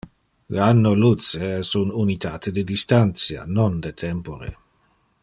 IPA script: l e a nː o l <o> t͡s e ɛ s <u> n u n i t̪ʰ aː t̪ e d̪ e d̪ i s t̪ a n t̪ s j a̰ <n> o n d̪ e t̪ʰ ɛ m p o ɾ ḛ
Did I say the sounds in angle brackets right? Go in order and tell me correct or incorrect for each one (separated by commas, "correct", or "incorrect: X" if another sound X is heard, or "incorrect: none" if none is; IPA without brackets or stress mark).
incorrect: u, correct, correct